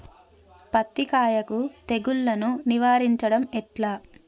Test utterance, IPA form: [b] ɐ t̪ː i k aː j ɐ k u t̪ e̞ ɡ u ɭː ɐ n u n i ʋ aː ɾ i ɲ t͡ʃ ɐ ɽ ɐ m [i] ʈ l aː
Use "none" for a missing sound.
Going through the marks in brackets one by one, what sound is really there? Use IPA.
p, ɛ

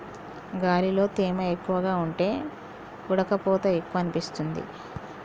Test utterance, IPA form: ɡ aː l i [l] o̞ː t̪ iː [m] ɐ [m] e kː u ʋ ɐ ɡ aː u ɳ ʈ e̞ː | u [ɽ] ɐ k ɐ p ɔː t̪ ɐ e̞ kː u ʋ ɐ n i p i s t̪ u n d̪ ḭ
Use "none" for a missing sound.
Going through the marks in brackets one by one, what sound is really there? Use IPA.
l, m, none, ɽ

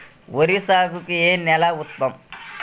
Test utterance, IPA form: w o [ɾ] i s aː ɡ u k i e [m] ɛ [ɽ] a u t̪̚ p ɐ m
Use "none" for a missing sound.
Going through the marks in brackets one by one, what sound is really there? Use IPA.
ɾ, n, l

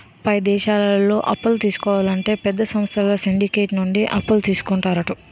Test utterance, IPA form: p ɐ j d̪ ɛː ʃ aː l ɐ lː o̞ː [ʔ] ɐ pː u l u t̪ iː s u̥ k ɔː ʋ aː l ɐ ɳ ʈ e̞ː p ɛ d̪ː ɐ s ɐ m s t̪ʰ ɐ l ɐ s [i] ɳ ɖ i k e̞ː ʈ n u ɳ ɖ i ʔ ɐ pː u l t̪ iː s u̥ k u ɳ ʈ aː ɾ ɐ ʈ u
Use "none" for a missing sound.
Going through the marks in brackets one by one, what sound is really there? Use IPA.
ʔ, i

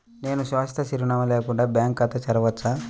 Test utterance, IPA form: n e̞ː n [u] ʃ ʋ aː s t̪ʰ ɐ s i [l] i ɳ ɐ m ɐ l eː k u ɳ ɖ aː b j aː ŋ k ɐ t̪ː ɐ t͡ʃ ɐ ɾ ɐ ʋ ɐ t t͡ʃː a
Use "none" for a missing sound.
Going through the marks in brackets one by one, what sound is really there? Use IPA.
u, ɾ

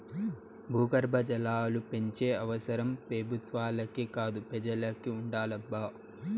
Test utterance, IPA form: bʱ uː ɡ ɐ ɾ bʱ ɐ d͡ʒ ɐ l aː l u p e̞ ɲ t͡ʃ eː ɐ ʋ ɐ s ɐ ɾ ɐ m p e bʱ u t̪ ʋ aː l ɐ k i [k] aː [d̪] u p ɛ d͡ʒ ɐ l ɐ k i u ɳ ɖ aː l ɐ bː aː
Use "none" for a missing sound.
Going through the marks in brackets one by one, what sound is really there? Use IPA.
k, d̪

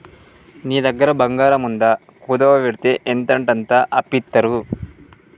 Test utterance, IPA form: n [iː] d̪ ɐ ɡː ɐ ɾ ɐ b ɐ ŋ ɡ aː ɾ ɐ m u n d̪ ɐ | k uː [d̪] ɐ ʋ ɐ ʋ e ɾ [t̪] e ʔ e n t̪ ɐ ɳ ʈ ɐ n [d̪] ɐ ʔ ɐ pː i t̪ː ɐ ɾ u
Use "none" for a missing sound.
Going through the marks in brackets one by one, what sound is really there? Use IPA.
iː, d̪, t̪, t̪

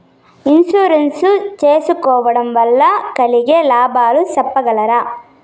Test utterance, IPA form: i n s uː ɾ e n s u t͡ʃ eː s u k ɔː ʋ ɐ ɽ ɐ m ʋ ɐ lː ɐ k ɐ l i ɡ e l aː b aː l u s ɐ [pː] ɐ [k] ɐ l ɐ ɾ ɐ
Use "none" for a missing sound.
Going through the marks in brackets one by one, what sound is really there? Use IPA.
pː, ɡ

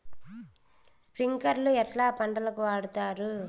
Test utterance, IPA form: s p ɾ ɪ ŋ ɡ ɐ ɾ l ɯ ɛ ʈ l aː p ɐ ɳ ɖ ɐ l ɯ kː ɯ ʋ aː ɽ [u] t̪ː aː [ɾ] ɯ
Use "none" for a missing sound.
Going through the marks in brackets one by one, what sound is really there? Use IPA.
ɯ, ɾ

